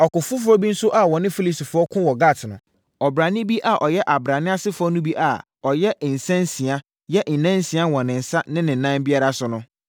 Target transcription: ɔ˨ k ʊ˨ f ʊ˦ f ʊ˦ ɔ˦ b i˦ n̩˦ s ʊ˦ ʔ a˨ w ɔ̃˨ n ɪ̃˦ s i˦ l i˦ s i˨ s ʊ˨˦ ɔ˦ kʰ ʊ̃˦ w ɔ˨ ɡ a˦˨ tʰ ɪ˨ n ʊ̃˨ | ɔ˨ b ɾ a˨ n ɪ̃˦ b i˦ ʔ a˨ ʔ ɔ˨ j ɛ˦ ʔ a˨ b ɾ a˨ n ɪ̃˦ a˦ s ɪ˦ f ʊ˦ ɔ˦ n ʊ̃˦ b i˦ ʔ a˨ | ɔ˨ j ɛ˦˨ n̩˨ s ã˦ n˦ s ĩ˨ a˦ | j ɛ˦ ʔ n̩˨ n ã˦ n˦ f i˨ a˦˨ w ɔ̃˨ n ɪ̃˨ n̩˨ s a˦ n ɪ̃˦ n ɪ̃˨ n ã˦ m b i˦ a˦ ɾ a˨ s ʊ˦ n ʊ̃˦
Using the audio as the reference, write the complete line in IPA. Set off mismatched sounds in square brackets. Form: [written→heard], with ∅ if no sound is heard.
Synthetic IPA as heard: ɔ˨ k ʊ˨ f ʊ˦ f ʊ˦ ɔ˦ b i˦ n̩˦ s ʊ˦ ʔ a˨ w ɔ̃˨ n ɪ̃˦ [s→f] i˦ l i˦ s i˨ [s→f] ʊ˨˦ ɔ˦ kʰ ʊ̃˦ w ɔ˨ ɡ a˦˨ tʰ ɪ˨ n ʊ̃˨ | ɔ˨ b ɾ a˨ n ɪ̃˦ b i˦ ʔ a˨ ʔ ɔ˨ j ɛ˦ ʔ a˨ b ɾ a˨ n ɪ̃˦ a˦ s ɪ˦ f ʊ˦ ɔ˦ n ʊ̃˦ b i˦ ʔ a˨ | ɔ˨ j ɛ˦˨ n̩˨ s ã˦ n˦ s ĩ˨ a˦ | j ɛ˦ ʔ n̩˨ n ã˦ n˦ [f→s] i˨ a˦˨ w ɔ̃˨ n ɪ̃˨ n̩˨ s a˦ n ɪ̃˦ n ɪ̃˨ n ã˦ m b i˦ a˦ ɾ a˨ s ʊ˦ n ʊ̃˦